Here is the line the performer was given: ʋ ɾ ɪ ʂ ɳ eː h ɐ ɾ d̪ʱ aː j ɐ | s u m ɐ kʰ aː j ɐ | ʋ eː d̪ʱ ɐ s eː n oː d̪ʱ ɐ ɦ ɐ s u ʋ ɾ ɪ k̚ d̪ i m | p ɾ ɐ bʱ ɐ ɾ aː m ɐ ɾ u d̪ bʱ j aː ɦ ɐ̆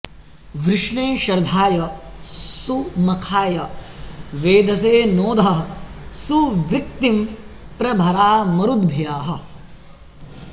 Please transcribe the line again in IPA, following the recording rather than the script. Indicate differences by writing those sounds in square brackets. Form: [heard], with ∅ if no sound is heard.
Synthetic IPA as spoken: ʋ ɾ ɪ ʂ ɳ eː [ʃ] ɐ ɾ d̪ʱ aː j ɐ | s u m ɐ kʰ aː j ɐ | ʋ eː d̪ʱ ɐ s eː n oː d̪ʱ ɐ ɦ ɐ s u ʋ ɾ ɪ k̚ [t̪] i m | p ɾ ɐ bʱ ɐ ɾ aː m ɐ ɾ u d̪ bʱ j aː ɦ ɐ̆